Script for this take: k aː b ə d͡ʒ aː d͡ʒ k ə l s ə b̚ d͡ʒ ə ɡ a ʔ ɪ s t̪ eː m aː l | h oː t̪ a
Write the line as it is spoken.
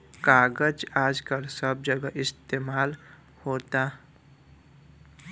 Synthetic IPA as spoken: k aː ɡ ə d͡ʒ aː d͡ʒ k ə l s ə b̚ d͡ʒ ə ɡ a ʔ ɪ s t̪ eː m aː l | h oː t̪ a